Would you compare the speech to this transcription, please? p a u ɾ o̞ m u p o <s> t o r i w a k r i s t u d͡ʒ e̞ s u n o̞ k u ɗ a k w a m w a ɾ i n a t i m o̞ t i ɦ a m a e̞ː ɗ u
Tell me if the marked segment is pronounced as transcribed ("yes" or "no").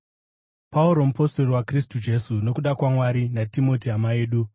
yes